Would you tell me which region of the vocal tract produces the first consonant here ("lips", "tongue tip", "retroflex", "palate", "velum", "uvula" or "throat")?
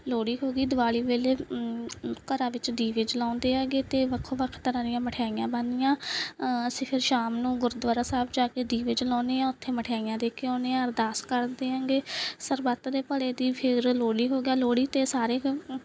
tongue tip